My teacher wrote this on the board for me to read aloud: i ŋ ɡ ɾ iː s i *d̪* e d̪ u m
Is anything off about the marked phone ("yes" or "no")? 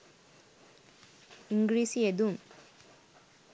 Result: yes